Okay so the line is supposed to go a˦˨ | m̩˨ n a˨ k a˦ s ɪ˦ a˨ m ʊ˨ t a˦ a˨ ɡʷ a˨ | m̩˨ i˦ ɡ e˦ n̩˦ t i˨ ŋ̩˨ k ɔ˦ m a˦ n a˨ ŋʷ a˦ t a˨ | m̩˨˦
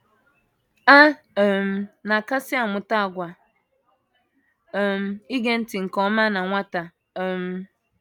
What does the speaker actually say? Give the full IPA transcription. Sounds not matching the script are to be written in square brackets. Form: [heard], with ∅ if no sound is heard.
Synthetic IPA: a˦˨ | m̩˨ n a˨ k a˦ s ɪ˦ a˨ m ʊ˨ t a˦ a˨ ɡʷ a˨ | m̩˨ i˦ ɡ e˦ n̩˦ t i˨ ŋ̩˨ k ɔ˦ m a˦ n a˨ ŋʷ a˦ t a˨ | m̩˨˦

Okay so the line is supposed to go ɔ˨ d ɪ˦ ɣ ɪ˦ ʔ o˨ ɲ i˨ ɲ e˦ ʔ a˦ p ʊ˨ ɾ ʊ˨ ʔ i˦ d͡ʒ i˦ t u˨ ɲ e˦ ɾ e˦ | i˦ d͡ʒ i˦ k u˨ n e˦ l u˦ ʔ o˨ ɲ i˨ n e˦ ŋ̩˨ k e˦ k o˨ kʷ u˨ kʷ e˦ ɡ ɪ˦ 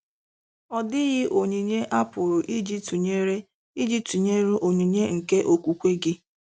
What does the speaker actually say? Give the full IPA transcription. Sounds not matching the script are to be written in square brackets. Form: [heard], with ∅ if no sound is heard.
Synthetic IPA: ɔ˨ d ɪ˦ ɣ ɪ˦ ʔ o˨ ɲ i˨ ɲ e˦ ʔ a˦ p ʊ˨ ɾ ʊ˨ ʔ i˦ d͡ʒ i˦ t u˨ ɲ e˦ ɾ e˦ | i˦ d͡ʒ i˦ [t] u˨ [ɲ] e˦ [ɾ] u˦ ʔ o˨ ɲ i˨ [ɲ] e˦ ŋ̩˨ k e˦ [ʔ] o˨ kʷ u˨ kʷ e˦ ɡ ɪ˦

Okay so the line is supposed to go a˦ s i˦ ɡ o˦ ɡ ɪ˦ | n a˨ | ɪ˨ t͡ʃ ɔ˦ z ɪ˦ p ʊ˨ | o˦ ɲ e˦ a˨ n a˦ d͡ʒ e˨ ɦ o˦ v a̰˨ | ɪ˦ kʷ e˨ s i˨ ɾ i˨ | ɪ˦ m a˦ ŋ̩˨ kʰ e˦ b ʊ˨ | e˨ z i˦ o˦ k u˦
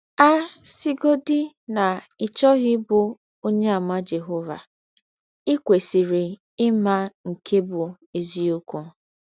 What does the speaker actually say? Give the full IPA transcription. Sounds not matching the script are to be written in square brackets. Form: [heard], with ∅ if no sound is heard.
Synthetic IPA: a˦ s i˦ ɡ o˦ [d] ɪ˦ | n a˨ | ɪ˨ t͡ʃ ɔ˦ [ɣ] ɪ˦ [b] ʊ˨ | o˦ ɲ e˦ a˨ [m] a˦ d͡ʒ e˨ ɦ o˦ v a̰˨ | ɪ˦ kʷ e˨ s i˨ ɾ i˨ | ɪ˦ m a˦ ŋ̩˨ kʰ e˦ b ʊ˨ | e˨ z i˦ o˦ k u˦

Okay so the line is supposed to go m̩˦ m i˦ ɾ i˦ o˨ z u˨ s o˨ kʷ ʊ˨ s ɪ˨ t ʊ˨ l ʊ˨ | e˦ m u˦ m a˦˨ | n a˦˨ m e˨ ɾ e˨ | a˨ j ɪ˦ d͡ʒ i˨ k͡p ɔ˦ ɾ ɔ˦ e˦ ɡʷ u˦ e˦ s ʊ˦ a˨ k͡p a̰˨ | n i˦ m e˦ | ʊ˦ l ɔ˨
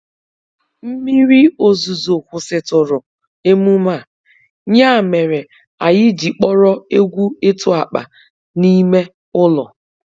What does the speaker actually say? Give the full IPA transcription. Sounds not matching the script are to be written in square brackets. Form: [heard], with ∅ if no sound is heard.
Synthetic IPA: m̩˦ m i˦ ɾ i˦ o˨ z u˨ [z] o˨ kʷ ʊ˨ s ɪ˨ t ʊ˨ [ɾ] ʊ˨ | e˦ m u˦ m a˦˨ | [ɲ] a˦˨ m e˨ ɾ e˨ | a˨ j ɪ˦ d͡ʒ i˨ k͡p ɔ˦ ɾ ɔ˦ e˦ ɡʷ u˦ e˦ [t] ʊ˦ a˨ k͡p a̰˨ | n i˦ m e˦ | ʊ˦ l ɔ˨

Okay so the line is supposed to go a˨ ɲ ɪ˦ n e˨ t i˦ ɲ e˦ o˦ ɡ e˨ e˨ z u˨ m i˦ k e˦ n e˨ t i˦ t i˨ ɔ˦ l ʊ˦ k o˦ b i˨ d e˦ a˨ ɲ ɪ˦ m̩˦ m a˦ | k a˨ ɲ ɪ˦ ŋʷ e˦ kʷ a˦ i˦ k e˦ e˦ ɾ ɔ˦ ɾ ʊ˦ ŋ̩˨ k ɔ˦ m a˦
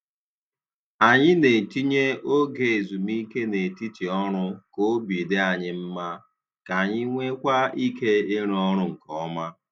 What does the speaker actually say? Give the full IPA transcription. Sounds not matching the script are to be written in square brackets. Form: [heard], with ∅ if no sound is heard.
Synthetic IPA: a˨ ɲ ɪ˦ n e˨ t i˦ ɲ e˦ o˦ ɡ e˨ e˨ z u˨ m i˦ k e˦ n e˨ t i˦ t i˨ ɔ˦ [ɾ] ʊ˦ k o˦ b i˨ d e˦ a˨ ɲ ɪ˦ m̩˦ m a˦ | k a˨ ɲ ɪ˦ ŋʷ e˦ kʷ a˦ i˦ k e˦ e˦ ɾ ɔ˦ ɾ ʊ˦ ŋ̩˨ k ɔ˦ m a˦

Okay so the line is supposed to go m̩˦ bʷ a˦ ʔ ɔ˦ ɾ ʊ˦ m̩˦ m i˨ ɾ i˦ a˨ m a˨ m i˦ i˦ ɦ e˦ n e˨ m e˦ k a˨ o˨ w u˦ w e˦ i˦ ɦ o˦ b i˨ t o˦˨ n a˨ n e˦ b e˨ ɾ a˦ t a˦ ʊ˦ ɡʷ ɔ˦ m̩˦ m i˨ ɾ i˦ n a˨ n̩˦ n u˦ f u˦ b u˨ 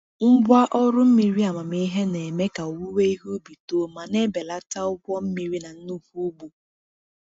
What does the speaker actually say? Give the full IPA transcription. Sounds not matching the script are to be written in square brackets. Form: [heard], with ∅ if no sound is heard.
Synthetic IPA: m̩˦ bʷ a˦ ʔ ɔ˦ ɾ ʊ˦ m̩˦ m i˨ ɾ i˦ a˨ m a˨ m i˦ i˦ ɦ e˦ n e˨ m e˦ k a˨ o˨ w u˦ w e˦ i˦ ɦ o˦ b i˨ t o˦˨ [m] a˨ n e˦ b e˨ [l] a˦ t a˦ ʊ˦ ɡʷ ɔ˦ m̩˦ m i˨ ɾ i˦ n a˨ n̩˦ n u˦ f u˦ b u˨

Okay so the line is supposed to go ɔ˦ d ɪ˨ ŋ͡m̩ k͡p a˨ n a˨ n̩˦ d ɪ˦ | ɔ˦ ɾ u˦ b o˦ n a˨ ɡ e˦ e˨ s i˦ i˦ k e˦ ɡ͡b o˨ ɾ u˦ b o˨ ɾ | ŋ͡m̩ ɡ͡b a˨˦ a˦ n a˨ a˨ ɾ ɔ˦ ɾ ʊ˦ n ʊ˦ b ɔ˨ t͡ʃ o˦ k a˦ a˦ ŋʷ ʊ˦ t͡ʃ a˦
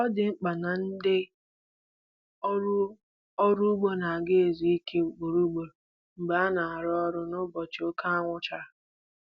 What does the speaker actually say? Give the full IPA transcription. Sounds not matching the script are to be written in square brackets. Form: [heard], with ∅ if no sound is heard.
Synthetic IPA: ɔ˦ d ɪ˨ ŋ͡m̩ k͡p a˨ n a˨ n̩˦ d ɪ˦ | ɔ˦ ɾ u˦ [ɡ͡b] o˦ n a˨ ɡ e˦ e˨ [z] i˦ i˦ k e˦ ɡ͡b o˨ ɾ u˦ [ɡ͡b] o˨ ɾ | ŋ͡m̩ ɡ͡b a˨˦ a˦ n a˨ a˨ ɾ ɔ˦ ɾ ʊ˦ n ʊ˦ b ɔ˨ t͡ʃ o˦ k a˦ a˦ ŋʷ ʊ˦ t͡ʃ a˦

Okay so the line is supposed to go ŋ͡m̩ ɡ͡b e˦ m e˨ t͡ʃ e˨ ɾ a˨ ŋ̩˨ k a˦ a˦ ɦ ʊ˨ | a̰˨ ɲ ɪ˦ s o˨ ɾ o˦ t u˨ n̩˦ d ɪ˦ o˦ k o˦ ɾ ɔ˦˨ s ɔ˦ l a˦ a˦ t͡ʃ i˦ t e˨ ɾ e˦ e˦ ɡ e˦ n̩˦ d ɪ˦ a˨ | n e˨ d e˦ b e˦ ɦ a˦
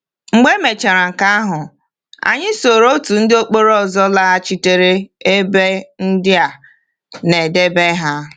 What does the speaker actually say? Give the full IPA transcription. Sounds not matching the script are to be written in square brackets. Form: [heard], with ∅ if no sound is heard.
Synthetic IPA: ŋ͡m̩ ɡ͡b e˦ m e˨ t͡ʃ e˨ ɾ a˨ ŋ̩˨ k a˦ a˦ ɦ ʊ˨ | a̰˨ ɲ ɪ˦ s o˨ ɾ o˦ t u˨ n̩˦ d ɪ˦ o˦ [k͡p] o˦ ɾ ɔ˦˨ [z] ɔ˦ l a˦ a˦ t͡ʃ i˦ t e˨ ɾ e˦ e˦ [b] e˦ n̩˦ d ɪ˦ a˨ | n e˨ d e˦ b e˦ ɦ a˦

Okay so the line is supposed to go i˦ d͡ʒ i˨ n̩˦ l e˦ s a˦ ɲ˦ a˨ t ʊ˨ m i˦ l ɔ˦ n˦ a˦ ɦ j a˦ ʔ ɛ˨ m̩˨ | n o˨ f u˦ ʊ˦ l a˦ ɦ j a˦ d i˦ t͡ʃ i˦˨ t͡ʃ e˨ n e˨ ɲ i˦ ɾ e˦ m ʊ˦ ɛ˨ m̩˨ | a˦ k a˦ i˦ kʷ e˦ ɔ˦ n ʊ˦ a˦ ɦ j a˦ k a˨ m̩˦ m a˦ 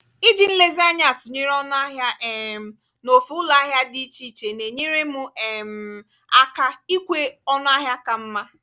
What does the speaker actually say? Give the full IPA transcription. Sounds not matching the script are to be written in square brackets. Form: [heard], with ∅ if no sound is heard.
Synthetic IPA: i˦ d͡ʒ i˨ n̩˦ l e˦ [z] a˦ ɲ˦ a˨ t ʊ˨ [ɲ] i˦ [ɾ] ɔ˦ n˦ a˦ ɦ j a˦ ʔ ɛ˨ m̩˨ | n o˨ f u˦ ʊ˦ l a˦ ɦ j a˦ d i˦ t͡ʃ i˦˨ t͡ʃ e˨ n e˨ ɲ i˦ ɾ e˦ m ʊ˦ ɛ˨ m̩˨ | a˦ k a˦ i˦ kʷ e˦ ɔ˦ n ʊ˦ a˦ ɦ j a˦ k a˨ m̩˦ m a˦

